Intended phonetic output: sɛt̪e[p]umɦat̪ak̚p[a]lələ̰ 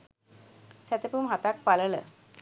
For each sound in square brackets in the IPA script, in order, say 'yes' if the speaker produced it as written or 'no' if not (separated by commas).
yes, yes